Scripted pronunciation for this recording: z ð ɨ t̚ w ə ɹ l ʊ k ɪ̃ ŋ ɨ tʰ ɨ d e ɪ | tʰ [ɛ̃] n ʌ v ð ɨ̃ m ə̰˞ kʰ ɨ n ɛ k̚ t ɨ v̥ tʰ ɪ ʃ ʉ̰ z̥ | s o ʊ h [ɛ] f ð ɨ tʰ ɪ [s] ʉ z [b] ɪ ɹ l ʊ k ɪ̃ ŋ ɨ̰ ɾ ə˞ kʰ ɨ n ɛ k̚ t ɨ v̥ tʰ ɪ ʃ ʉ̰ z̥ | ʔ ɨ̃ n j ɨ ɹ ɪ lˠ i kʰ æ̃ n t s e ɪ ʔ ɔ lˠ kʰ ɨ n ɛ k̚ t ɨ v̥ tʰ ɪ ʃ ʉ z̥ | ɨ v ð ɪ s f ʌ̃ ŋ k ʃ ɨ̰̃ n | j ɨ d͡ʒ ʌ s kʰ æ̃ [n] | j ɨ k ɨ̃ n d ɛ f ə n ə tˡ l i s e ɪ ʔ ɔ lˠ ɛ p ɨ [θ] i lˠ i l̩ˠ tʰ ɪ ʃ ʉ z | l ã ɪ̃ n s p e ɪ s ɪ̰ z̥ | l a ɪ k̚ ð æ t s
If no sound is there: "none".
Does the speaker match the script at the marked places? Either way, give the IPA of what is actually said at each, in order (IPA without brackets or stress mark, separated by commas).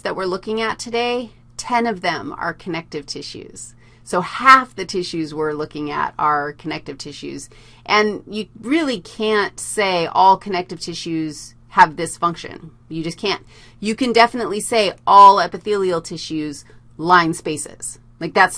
ɛ̃, æ, ʃ, w, n, θ